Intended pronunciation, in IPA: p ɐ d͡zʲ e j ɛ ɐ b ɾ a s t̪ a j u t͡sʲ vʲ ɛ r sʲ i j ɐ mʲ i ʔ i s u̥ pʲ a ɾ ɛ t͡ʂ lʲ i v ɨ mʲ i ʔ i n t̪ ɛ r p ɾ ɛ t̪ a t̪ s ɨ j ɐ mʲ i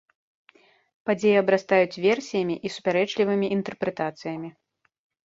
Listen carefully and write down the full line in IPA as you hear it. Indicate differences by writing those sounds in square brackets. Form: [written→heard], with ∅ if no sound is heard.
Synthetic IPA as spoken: p [ɐ→a] d͡zʲ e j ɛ ɐ b ɾ a s t̪ a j u t͡sʲ vʲ ɛ r sʲ i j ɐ mʲ i ʔ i s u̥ pʲ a ɾ ɛ t͡ʂ lʲ i v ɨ mʲ i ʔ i n t̪ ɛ r p ɾ ɛ t̪ a t̪ s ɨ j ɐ mʲ i